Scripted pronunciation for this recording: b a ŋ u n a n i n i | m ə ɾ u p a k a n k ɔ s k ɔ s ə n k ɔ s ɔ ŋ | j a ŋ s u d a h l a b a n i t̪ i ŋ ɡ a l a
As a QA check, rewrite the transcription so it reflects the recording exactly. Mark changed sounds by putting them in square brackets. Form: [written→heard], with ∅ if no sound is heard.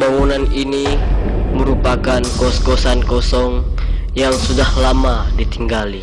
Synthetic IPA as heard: b a ŋ u n a n i n i | m ə ɾ u p a k a n k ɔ s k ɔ s [ə→a] n k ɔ s ɔ ŋ | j a ŋ s u d a h l a [b→m] a [n→d] i t̪ i ŋ ɡ a l [a→i]

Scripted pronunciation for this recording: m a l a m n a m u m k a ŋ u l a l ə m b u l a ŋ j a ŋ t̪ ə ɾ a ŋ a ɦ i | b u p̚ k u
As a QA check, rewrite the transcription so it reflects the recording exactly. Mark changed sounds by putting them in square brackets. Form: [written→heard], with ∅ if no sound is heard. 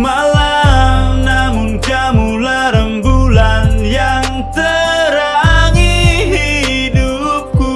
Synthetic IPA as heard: m a l a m n a m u [m→n] k a [ŋ→m] u l a [l→ɾ] ə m b u l a [ŋ→n] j a ŋ t̪ ə ɾ a ŋ [a→i] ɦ i | [b→d] u p̚ k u

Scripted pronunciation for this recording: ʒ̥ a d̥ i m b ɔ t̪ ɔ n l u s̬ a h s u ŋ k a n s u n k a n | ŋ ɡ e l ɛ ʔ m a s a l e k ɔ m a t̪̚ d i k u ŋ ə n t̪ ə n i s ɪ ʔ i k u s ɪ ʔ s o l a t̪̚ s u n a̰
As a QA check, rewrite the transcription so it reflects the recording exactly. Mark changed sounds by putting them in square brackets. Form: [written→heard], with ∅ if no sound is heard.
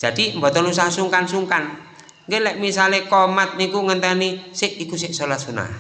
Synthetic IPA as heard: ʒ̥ a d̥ i m b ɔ t̪ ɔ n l u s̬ a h s u ŋ k a n s u [n→ŋ] k a n | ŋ ɡ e l ɛ ʔ m [a→i] s a l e k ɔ m a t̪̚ [d→n] i k u ŋ ə n t̪ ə n i s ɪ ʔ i k u s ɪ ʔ s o l a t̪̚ s u n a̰

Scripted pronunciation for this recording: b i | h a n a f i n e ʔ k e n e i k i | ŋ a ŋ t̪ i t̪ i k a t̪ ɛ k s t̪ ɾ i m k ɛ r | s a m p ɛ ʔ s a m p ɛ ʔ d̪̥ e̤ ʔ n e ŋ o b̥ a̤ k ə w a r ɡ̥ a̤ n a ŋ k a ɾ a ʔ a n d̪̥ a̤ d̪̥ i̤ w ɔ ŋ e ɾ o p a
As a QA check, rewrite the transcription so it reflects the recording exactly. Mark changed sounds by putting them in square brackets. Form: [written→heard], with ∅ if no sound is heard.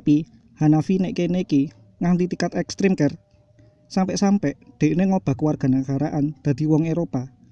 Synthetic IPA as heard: [b→p] i | h a n a f i n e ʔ k e n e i k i | ŋ a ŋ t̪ i t̪ i k a t̪ ɛ k s t̪ ɾ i m k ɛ r | s a m p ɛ ʔ s a m p ɛ ʔ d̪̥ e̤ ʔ n e ŋ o b̥ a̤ k ə w a r ɡ̥ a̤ n a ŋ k a ɾ a ʔ a n d̪̥ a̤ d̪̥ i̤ w ɔ ŋ e ɾ o p a

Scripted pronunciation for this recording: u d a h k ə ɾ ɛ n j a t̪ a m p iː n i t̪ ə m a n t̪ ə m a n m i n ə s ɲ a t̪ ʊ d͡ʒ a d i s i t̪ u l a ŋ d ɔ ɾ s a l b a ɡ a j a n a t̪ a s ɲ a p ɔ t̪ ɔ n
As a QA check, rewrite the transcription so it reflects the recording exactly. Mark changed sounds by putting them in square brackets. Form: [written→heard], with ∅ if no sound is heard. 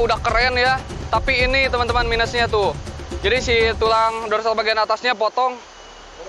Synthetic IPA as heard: u d a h k ə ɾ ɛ n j a t̪ a [m→∅] p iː n i t̪ ə m a n t̪ ə m a n m i n ə s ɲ a t̪ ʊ d͡ʒ a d i s i t̪ u l a ŋ d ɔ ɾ s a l b a ɡ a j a n a t̪ a s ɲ a p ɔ t̪ ɔ [n→ŋ]

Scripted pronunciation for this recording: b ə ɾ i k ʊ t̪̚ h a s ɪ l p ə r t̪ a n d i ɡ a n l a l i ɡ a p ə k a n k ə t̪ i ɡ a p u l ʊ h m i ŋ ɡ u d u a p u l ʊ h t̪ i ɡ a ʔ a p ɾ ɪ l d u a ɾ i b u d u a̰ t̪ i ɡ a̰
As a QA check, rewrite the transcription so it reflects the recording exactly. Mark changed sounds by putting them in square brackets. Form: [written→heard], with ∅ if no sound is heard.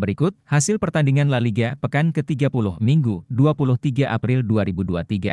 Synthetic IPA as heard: b ə ɾ i k ʊ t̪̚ h a s ɪ l p ə r t̪ a n d i [ɡ→ŋ] a n l a l i ɡ a p ə k a n k ə t̪ i ɡ a p u l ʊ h m i ŋ ɡ u d u a p u l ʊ h t̪ i ɡ a ʔ a p ɾ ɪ l d u a ɾ i b u d u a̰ t̪ i ɡ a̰

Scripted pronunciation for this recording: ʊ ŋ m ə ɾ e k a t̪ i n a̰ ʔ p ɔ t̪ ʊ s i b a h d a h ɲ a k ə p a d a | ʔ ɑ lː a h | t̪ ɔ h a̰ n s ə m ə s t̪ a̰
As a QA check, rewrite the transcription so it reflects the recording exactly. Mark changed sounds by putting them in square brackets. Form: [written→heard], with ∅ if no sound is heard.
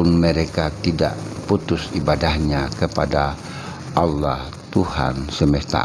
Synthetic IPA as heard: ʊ [ŋ→n] m ə ɾ e k a t̪ i [n→d] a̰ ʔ p [ɔ→u] t̪ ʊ s i b a [h→∅] d a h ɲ a k ə p a d a | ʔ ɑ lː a h | t̪ [ɔ→u] h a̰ n s ə m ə s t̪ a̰

